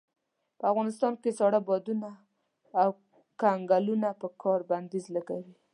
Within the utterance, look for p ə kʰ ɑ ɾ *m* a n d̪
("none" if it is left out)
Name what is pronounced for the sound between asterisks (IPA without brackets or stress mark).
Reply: b